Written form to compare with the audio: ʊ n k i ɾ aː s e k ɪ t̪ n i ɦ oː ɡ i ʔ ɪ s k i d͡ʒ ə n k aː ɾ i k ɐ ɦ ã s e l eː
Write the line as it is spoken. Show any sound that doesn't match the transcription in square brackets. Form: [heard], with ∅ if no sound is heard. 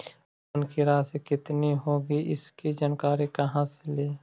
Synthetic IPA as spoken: ʊ n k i ɾ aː s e k ɪ t̪ n i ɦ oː ɡ i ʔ ɪ s k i d͡ʒ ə n k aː ɾ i k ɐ ɦ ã s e l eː